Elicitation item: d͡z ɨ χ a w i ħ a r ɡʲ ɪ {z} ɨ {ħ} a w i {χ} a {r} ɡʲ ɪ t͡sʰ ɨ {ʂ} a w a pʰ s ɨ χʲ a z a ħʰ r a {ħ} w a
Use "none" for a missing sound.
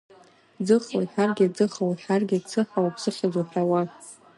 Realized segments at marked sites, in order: d͡z, χ, ħ, r, ħ, none

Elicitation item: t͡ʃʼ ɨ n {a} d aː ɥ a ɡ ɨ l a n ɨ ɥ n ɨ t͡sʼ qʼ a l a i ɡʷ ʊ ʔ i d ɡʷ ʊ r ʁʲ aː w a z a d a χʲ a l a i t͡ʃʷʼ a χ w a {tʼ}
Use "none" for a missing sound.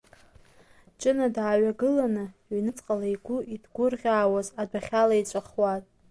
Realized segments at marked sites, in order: a, tʼ

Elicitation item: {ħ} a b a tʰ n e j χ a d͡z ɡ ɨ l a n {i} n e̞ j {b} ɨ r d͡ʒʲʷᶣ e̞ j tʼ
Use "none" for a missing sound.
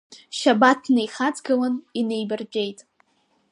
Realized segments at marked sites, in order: ʃ, i, b

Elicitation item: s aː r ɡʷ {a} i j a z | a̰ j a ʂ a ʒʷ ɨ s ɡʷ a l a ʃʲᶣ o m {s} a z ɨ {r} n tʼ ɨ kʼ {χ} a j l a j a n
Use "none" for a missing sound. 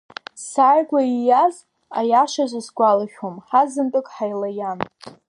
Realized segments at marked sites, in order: a, ħ, none, ħ

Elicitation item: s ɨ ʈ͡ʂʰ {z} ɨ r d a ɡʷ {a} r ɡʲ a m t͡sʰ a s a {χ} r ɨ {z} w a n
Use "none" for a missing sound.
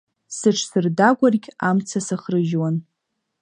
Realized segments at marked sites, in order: s, a, χ, ʒ

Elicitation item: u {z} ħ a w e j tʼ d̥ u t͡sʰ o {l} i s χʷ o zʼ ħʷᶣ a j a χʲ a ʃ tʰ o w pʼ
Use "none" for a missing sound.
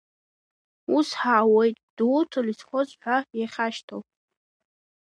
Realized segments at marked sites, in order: s, l

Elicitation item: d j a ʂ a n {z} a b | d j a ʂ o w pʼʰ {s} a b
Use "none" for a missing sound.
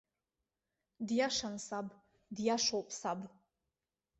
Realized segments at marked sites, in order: s, s

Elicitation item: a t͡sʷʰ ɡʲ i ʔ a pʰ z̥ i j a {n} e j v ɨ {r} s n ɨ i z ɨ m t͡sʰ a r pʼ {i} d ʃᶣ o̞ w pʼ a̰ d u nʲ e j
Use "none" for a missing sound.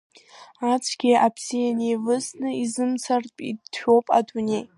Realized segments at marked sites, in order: n, none, i

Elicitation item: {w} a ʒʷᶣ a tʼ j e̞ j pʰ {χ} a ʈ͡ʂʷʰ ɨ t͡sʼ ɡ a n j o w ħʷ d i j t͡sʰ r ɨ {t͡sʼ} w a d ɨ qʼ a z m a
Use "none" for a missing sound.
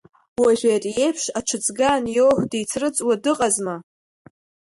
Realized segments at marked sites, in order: w, ʂ, t͡sʼ

